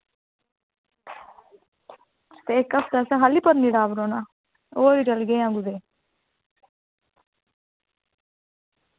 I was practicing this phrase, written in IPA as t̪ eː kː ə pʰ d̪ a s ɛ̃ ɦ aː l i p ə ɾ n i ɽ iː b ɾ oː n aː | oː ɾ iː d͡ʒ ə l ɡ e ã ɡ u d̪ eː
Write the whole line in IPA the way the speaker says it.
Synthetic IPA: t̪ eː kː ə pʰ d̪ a s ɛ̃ ɦ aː l i p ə ɾ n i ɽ aː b ɾ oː n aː | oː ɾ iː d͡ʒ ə l ɡ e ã ɡ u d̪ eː